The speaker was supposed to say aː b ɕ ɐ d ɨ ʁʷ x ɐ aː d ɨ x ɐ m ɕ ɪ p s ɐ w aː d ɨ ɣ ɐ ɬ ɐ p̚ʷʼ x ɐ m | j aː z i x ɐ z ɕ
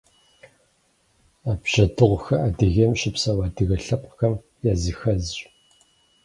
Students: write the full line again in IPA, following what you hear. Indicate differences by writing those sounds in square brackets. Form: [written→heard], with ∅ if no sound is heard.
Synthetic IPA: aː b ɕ ɐ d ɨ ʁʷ x ɐ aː d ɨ [x→ɣ] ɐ m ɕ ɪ p s ɐ w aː d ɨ ɣ ɐ ɬ ɐ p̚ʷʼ x ɐ m | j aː z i x ɐ z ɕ